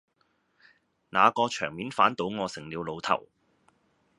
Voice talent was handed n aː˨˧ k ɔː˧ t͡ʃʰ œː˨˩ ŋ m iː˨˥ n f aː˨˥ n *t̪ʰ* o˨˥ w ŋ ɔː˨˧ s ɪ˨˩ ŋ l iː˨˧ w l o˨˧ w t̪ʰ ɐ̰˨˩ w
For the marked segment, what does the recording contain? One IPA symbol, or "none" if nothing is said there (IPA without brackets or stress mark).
t̪